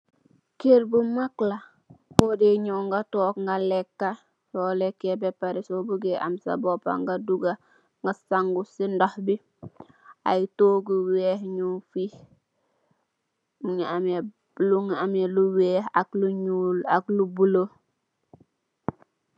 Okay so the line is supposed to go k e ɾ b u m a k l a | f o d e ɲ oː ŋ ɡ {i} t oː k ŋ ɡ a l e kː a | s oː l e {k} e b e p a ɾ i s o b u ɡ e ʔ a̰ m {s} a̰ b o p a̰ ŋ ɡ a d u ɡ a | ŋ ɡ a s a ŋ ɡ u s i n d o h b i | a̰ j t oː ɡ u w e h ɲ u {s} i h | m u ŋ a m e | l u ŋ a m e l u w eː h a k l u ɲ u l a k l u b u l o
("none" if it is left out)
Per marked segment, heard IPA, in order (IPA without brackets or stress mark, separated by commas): a, k, s, f